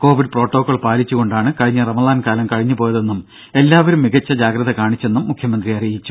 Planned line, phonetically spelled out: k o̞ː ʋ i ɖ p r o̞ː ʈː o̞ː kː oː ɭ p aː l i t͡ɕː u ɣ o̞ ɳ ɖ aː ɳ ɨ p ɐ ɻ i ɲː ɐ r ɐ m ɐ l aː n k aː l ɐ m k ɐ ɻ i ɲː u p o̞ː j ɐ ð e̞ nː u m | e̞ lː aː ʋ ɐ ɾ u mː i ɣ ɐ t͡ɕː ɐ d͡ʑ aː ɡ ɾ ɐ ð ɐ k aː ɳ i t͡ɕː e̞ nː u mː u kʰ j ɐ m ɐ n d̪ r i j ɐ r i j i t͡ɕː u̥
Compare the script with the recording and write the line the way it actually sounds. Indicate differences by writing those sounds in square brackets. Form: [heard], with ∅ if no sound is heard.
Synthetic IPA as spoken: k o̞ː ʋ i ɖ p r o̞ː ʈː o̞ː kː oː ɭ p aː l i t͡ɕː u ɣ o̞ ɳ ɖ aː ɳ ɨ [k] ɐ ɻ i ɲː ɐ r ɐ m ɐ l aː n k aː l ɐ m k ɐ ɻ i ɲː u p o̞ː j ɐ ð e̞ nː u m | e̞ lː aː ʋ ɐ ɾ u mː i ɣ ɐ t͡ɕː ɐ d͡ʑ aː ɡ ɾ ɐ ð ɐ k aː ɳ i t͡ɕː e̞ nː u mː u kʰ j ɐ m ɐ n d̪ r i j ɐ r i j i t͡ɕː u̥

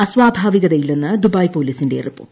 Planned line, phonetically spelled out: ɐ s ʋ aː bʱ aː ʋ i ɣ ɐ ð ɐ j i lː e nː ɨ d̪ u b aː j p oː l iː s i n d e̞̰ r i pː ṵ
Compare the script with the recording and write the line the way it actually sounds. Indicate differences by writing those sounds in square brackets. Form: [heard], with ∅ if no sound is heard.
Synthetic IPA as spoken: ɐ s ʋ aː bʱ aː ʋ i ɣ ɐ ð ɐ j i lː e nː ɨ d̪ u b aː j p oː l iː s i n d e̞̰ r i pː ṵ

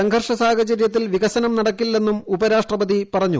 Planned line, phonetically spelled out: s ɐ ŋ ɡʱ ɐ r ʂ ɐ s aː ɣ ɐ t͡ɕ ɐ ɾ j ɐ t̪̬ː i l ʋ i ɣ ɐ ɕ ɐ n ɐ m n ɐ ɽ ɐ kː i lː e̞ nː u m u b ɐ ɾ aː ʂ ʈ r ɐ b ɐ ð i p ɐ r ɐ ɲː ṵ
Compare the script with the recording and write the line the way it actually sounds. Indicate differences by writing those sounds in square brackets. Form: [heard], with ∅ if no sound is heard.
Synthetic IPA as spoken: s ɐ ŋ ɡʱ ɐ r ʂ ɐ s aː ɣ ɐ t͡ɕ ɐ ɾ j ɐ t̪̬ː i l ʋ i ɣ ɐ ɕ ɐ n ɐ m n ɐ ɽ ɐ kː i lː e̞ nː u m u b ɐ ɾ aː ʂ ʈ r ɐ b ɐ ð i p ɐ r ɐ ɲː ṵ

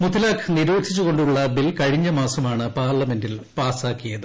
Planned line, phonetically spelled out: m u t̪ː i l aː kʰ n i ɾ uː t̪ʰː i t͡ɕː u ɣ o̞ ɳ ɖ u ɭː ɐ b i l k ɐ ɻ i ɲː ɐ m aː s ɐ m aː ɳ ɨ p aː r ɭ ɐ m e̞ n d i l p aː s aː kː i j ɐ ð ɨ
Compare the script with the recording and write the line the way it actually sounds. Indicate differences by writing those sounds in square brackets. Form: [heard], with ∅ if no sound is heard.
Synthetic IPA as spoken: m u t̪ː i l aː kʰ n i ɾ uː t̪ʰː i t͡ɕː u ɣ o̞ ɳ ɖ u ɭː ɐ b i l k ɐ ɻ i ɲː ɐ m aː s ɐ m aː ɳ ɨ p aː r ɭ ɐ m e̞ n d i l p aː s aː kː i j ɐ ð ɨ

